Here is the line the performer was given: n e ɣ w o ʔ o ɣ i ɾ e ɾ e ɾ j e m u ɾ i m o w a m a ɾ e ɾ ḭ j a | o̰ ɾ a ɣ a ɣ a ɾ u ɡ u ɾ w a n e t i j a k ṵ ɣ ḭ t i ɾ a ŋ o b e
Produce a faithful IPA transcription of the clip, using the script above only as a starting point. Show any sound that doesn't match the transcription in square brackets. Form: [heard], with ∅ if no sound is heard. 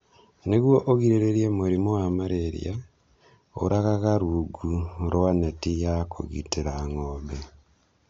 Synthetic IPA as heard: n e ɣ w o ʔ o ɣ i ɾ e ɾ e ɾ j e m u ɾ i m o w a m a ɾ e ɾ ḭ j a | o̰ ɾ a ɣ a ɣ a ɾ u ɡ u ɾ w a n e t i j a k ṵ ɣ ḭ t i ɾ a ŋ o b e